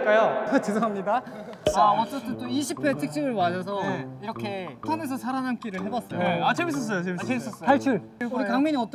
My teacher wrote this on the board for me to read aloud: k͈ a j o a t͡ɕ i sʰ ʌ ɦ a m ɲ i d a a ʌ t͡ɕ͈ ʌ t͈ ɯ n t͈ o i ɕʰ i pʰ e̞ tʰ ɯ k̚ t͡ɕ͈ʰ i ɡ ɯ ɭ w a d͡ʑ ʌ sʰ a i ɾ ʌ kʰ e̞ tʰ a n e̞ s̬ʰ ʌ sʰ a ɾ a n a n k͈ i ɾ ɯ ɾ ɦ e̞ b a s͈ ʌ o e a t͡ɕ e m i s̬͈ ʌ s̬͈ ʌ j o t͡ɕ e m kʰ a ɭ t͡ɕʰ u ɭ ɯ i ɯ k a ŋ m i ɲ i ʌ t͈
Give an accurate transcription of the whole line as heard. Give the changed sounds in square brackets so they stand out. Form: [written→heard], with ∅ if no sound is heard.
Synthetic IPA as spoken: k͈ a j o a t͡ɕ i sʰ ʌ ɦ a m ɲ i d a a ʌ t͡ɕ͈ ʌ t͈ ɯ n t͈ o i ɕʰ i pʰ e̞ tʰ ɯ k̚ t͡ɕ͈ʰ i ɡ ɯ ɭ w a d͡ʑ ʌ sʰ [a→ʌ] i ɾ ʌ kʰ e̞ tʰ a n e̞ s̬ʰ ʌ sʰ a ɾ a n a n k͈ i ɾ ɯ [ɾ→ɭ] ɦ e̞ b a s͈ ʌ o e a t͡ɕ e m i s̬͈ ʌ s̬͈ ʌ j o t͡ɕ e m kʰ a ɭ t͡ɕʰ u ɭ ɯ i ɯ k a ŋ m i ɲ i ʌ t͈